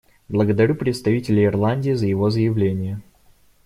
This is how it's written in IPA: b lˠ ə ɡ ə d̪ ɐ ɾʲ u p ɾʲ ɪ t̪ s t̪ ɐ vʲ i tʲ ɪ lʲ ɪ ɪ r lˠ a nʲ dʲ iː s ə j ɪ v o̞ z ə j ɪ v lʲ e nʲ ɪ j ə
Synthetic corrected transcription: b lˠ ə ɡ ə d̪ ɐ ɾʲ u p ɾʲ ɪ t̪ s t̪ ɐ vʲ i tʲ ɪ lʲ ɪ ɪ r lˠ a nʲ dʲ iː z ə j ɪ v o̞ z ə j ɪ v lʲ e nʲ ɪ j ə